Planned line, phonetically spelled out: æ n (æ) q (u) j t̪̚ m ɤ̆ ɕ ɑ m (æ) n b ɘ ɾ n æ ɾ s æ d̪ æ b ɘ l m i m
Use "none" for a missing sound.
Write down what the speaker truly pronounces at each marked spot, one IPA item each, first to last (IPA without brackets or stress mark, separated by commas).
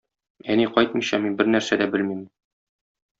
i, ɒ, i